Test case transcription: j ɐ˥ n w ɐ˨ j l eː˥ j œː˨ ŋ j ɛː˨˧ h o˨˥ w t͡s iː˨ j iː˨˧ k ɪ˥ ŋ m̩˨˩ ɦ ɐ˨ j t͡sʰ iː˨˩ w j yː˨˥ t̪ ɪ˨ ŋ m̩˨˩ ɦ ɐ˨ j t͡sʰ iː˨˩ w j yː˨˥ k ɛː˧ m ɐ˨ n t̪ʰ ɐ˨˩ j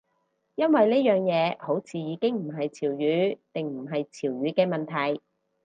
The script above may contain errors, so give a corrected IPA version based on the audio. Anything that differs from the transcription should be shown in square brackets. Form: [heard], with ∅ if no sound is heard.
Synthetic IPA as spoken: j ɐ˥ n w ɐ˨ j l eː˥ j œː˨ ŋ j ɛː˨˧ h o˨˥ w [t͡sʰ] iː˨ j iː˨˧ k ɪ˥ ŋ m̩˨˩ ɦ ɐ˨ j t͡sʰ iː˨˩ w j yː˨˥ t̪ ɪ˨ ŋ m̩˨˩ ɦ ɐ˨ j t͡sʰ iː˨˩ w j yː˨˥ k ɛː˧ m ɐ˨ n t̪ʰ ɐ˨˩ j